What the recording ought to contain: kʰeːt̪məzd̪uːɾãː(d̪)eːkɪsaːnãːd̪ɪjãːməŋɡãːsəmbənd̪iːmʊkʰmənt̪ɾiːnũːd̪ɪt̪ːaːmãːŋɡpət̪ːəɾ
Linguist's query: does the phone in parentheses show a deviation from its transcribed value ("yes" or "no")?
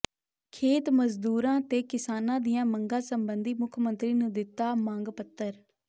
yes